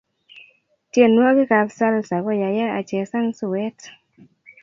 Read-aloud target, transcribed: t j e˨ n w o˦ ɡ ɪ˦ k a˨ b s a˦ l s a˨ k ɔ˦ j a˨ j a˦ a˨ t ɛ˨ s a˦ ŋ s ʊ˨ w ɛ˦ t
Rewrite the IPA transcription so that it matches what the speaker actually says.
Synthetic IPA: t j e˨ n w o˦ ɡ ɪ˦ k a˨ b s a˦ l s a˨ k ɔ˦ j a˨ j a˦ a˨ t͡ʃ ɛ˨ s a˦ ŋ s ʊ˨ w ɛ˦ t